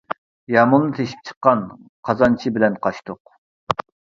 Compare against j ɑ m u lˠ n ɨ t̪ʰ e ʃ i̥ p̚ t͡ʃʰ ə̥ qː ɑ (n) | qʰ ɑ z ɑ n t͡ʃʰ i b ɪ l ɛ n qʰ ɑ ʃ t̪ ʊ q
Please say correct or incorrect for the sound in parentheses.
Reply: correct